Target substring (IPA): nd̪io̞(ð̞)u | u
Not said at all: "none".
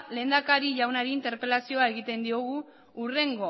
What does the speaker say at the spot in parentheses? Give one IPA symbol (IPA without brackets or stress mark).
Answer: ɣ̞